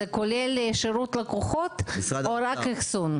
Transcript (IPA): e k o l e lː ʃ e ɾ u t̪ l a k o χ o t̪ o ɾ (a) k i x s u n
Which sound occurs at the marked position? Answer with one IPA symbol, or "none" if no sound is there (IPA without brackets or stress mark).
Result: a